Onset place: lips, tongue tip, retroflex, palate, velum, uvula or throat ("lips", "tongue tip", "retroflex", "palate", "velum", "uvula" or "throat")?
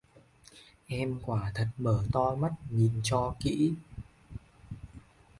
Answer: throat